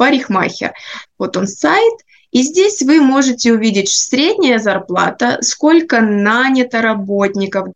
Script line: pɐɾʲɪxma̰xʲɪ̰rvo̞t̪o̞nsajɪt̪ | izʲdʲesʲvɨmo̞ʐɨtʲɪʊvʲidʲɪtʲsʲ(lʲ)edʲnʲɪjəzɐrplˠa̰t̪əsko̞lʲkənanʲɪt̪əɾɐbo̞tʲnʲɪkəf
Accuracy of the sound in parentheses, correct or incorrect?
incorrect